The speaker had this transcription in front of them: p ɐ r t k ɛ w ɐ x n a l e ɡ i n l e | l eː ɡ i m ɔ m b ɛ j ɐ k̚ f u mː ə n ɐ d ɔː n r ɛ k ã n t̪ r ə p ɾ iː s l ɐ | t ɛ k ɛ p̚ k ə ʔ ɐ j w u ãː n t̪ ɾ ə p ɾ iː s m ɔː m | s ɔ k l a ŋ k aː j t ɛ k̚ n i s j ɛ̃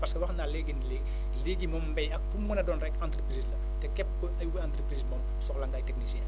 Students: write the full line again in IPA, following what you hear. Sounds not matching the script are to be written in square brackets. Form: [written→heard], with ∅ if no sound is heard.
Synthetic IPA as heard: p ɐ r [t→s] k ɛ w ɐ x n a l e ɡ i n l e | l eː ɡ i m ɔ m b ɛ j ɐ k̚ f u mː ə n ɐ d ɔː n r ɛ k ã n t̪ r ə p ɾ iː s l ɐ | t ɛ k ɛ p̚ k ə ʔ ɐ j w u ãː n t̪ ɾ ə p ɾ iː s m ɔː m | s ɔ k l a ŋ [k→ɡ] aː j t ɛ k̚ n i s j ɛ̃